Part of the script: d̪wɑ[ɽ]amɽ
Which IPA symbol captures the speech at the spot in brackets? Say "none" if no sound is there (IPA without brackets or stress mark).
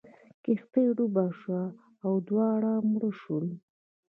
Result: ɽ